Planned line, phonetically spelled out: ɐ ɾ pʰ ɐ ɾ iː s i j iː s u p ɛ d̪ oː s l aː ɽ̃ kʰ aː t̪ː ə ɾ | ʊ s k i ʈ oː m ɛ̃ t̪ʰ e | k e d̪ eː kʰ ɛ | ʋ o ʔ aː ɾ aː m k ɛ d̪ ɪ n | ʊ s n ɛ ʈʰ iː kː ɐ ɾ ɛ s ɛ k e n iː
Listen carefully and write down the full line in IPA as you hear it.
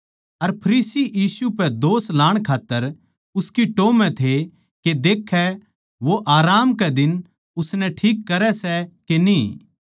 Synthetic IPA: ɐ ɾ pʰ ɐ ɾ iː s i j iː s u p ɛ d̪ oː s l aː ɽ̃ kʰ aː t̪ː ə ɾ | ʊ s k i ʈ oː m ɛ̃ t̪ʰ e | k e d̪ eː kʰ ɛ | ʋ o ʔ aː ɾ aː m k ɛ d̪ ɪ n | ʊ s n ɛ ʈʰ iː kː ɐ ɾ ɛ s ɛ k e n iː